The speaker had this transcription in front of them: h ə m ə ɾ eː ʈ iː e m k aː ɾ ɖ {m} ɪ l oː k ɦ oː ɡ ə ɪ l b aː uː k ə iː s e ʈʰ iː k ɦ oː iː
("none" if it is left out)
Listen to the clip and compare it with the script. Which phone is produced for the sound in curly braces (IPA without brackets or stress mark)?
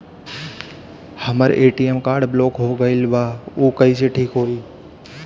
b